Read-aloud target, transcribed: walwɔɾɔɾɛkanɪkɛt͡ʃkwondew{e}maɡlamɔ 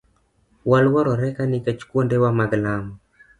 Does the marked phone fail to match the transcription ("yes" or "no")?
yes